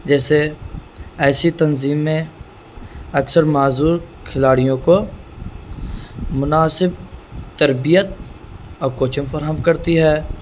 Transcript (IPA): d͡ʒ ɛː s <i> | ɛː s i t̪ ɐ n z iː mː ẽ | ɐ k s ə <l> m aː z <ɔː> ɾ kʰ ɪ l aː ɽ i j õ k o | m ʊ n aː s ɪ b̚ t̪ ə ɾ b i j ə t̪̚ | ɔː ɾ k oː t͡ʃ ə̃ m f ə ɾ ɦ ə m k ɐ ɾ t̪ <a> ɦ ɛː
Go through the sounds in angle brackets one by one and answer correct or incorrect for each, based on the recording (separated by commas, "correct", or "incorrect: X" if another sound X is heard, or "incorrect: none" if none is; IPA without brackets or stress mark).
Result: incorrect: e, incorrect: ɾ, incorrect: uː, incorrect: i